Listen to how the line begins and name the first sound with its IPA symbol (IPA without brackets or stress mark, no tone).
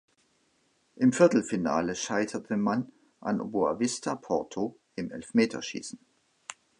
ʔ